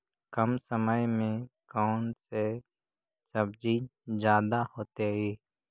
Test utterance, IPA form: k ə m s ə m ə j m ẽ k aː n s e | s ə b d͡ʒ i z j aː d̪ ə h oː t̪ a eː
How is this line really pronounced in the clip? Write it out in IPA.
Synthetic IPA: k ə m s ə m ə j m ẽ k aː n s e | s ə b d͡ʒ i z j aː d̪ a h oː t̪ e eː